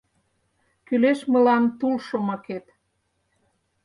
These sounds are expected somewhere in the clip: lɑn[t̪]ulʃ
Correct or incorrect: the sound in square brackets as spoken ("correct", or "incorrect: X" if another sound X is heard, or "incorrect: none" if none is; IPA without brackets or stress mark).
correct